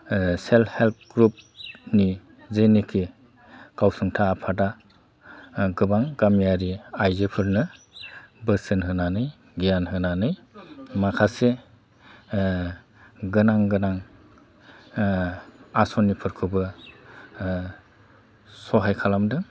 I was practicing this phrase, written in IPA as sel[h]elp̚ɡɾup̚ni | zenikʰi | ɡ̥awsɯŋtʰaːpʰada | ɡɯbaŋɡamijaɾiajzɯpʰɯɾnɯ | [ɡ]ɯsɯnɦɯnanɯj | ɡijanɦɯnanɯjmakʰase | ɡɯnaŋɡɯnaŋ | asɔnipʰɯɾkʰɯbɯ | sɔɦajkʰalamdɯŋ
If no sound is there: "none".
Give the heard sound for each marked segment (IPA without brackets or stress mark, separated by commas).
h, b